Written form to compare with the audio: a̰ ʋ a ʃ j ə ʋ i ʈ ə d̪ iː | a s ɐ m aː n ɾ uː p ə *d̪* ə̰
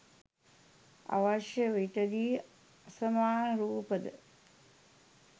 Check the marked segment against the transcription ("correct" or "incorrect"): correct